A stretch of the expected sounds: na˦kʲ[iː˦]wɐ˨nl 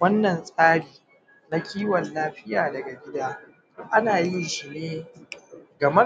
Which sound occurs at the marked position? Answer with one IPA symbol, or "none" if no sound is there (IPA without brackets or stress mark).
iː˦